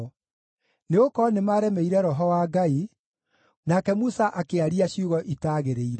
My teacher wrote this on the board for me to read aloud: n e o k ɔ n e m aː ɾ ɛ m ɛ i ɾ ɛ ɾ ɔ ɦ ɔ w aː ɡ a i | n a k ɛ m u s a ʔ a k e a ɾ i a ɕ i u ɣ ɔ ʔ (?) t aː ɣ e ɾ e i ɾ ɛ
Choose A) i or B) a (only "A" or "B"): A